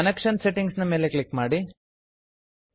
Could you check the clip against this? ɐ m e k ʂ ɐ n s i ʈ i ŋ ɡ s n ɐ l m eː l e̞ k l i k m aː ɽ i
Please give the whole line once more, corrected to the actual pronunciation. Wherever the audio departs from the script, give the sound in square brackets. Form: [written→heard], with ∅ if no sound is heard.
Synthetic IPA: ɐ [m→n] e k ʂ ɐ n s [i→e] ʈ i ŋ ɡ s n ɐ [l→∅] m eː l e̞ k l i k m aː ɽ i